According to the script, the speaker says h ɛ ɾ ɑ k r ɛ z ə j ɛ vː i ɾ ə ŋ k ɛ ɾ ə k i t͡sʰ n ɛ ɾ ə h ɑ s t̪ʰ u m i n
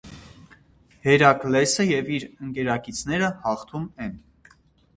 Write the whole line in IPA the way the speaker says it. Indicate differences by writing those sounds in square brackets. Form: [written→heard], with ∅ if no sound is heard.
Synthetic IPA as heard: h ɛ ɾ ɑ k [r→l] ɛ [z→s] ə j ɛ [vː→v] i ɾ ə ŋ k ɛ ɾ [ə→ɑ] k i t͡sʰ n ɛ ɾ ə h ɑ [s→χ] t̪ʰ u m [i→ɛ] n